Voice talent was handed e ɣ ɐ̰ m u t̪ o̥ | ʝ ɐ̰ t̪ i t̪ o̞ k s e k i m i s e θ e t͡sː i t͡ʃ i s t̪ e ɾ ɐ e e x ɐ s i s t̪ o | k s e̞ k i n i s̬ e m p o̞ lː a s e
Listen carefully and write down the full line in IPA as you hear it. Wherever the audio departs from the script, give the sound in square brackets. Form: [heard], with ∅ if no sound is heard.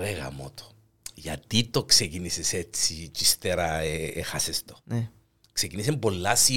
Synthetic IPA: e ɣ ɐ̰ m [o] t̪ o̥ | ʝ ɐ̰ t̪ i t̪ o̞ k s e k i [n] i s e [s] e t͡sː i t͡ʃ i s t̪ e ɾ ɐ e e x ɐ s [e] s t̪ o | k s e̞ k i n i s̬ e m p o̞ lː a s [i]